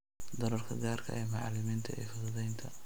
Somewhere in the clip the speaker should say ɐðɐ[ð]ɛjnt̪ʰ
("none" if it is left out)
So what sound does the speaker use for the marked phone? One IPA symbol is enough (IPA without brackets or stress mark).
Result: ð